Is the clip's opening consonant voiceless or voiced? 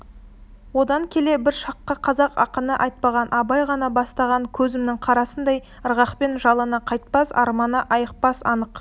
voiced